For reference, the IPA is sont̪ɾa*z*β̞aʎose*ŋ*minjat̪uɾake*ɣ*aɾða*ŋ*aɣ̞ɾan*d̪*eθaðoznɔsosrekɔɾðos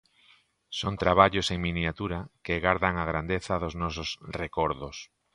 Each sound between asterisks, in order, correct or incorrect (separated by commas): incorrect, correct, correct, correct, correct